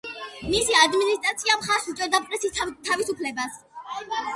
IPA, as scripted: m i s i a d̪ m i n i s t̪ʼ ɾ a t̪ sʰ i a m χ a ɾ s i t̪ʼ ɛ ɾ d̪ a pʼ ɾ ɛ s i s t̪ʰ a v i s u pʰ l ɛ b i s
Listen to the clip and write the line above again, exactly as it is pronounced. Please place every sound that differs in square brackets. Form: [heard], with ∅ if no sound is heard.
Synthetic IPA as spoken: m i s i a d̪ m i n i s t̪ʼ ɾ a t̪ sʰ i a m χ a ɾ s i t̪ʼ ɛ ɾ d̪ a pʼ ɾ ɛ s i s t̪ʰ a v i s u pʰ l ɛ b [a] s